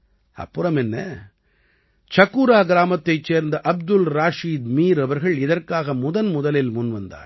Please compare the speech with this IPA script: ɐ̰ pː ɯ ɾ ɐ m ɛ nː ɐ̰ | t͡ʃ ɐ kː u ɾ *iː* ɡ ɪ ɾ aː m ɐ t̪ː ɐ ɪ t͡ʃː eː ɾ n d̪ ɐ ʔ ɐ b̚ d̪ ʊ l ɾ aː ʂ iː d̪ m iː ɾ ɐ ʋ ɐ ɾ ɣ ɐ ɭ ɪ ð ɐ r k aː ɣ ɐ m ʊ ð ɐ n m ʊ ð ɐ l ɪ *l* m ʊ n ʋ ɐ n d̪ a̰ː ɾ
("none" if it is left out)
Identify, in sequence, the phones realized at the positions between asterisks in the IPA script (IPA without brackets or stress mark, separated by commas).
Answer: aː, l